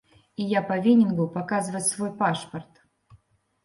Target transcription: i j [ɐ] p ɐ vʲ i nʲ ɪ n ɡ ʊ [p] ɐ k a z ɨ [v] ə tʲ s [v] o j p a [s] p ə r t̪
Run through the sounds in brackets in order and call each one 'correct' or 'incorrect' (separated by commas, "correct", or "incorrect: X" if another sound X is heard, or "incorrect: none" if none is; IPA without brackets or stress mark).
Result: incorrect: a, correct, correct, correct, incorrect: ʂ